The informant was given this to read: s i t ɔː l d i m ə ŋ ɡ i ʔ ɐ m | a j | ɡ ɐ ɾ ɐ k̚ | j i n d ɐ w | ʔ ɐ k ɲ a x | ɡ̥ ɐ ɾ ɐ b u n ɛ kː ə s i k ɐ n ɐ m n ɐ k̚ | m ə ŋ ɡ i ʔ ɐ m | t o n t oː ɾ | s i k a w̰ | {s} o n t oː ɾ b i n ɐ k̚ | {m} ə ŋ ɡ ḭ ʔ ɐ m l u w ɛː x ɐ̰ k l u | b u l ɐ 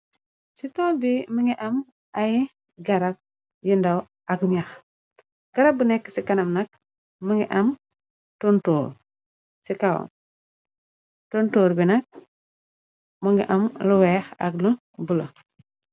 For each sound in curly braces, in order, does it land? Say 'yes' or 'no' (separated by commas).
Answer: no, yes